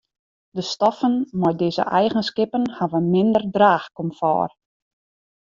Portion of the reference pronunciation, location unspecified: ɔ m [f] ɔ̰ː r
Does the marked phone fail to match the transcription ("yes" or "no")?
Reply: no